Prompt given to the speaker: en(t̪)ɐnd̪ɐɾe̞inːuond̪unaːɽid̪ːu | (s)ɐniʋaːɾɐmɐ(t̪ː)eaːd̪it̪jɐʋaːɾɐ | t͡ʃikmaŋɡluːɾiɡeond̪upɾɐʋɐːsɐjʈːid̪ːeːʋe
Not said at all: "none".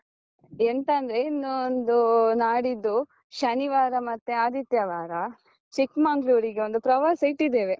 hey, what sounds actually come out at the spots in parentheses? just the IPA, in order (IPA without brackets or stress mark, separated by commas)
t̪, ʃ, t̪ː